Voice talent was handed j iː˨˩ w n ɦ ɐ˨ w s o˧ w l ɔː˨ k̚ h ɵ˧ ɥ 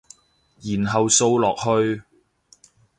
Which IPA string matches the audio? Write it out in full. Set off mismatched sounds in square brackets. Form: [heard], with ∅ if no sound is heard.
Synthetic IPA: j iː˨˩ [∅] n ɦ ɐ˨ w s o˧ w l ɔː˨ k̚ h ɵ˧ ɥ